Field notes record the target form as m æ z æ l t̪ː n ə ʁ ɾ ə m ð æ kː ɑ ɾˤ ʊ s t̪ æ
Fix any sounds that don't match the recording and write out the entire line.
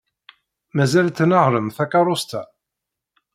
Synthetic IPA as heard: m æ z æ l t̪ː n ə ʁ ɾ ə m θ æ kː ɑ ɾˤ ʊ s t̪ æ